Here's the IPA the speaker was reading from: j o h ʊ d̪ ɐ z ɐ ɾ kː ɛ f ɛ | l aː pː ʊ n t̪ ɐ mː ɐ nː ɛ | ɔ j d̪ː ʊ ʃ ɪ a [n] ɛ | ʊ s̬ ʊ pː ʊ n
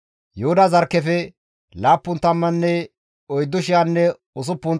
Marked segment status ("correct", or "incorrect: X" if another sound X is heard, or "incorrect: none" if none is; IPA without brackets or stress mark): incorrect: nː